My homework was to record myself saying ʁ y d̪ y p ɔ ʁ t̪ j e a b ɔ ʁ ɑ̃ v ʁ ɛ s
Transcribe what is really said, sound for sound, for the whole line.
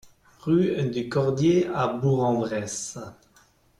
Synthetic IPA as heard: ʁ y d̪ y k ɔ ʁ d̪ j e a b u ʁ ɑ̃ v ʁ ɛ s